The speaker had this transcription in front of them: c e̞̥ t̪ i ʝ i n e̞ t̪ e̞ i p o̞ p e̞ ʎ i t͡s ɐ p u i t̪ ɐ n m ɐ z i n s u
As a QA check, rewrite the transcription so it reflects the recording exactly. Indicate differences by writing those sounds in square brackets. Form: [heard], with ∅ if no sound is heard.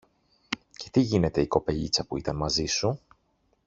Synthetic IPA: c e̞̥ t̪ i ʝ i n e̞ t̪ e̞ i [k] o̞ p e̞ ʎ i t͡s ɐ p u i t̪ ɐ n m ɐ z i [∅] s u